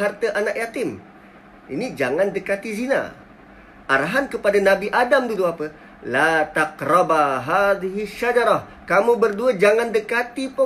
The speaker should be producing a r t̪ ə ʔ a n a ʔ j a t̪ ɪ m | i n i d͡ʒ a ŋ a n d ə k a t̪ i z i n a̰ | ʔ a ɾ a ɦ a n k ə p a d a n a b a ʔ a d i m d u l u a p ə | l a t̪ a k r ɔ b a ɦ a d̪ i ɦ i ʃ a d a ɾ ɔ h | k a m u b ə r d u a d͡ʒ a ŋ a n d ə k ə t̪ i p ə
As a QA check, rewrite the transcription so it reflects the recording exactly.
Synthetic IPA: a r t̪ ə ʔ a n a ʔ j a t̪ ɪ m | i n i d͡ʒ a ŋ a n d ə k a t̪ i z i n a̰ | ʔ a ɾ a ɦ a n k ə p a d a n a b i ʔ a d a m d u l u a p ə | l a t̪ a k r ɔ b a ɦ a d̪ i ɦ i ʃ a d͡ʒ a ɾ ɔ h | k a m u b ə r d u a d͡ʒ a ŋ a n d ə k a t̪ i p ə